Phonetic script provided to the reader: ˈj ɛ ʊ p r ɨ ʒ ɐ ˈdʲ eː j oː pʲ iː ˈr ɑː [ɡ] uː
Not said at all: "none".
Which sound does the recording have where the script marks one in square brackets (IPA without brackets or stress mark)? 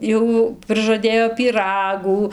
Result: ɡ